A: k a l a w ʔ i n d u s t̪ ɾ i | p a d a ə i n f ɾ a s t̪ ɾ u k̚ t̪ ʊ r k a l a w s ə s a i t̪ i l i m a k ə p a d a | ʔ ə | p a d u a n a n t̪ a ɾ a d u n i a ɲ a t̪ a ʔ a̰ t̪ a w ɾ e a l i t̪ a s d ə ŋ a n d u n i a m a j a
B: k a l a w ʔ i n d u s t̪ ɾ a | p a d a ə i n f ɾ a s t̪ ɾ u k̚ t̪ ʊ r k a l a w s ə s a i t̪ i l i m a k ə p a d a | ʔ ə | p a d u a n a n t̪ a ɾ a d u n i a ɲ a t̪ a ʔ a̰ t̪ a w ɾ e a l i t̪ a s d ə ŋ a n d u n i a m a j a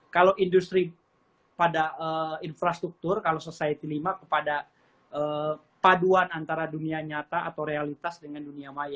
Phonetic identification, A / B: A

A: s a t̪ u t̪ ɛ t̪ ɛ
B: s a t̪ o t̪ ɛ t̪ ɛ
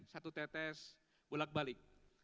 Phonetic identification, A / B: A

